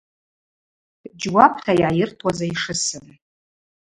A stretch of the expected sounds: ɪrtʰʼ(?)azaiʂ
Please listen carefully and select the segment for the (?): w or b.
w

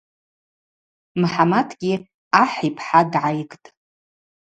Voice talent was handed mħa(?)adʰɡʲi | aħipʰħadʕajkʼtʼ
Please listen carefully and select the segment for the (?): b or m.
m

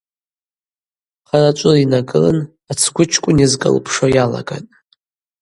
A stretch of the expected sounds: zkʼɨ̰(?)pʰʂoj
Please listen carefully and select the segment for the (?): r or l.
l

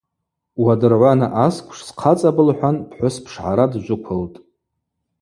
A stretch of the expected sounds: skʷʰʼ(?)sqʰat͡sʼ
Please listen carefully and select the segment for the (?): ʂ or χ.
ʂ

